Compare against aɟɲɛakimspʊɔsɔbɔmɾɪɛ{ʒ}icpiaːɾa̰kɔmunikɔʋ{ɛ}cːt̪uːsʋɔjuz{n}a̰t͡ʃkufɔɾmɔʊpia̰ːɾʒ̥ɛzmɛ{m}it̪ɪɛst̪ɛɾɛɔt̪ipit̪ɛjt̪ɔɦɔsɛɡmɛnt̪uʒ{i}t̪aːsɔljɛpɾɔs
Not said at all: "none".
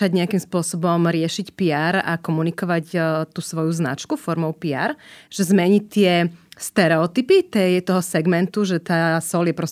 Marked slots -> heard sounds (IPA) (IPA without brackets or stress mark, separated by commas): ʃ, a, n, ɲ, ɛ